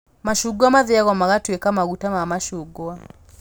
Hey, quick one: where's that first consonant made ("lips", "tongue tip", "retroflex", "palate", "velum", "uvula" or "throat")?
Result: lips